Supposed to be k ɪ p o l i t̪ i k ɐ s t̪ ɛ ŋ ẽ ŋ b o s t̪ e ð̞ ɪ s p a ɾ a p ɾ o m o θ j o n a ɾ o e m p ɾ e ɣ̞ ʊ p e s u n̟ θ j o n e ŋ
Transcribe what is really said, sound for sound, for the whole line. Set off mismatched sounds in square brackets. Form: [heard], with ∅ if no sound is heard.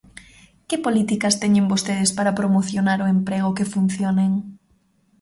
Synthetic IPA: k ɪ p o l i t̪ i k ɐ s t̪ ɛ [ɲ] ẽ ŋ b o s t̪ e ð̞ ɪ s p a ɾ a p ɾ o m o θ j o n a ɾ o e m p ɾ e ɣ̞ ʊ [k] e [f] u n̟ θ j o n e ŋ